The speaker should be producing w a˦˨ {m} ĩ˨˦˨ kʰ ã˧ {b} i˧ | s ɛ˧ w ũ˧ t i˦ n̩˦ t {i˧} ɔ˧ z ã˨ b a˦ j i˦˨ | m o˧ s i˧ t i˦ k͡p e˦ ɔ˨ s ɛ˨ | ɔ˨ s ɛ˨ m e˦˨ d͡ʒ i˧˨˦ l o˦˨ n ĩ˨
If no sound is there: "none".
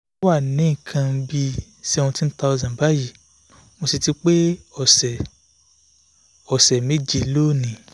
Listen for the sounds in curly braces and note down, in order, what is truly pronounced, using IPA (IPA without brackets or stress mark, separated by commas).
n, b, a˧